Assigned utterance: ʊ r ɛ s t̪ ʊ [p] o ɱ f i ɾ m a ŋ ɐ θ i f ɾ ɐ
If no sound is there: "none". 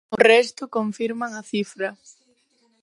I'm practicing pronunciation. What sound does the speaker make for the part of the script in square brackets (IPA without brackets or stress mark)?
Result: k